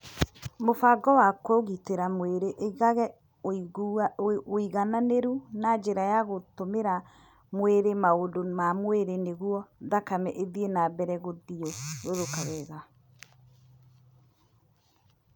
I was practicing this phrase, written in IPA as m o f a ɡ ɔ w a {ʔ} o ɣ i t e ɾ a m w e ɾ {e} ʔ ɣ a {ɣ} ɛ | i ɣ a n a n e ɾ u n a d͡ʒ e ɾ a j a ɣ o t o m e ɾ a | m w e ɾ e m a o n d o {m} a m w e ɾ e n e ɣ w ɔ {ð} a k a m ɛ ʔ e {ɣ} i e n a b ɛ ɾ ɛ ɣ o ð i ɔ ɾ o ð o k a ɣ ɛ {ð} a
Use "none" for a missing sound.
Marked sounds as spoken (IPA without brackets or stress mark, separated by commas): k, e, ɣ, m, ð, ð, ɣ